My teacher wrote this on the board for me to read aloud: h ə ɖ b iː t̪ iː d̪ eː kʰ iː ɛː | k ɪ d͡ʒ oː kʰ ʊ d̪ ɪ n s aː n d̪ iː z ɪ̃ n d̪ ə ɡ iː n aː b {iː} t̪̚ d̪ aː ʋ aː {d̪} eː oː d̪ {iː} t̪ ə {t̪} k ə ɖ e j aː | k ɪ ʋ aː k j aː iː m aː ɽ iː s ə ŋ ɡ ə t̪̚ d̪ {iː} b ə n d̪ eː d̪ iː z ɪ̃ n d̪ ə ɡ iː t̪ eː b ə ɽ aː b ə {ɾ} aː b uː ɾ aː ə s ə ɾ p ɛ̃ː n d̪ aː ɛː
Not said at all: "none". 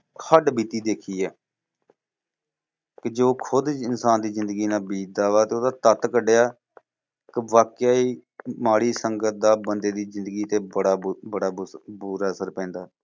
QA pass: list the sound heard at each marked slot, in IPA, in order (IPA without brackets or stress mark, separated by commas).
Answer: iː, t̪, aː, t̪, aː, ɽ